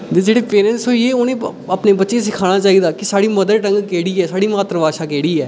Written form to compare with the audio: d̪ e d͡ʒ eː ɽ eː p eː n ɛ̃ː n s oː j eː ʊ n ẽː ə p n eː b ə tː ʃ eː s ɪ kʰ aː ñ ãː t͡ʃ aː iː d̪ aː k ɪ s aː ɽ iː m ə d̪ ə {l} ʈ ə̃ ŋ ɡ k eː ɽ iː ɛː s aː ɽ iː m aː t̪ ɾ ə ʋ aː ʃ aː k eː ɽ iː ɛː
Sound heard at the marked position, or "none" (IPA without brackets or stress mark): ɾ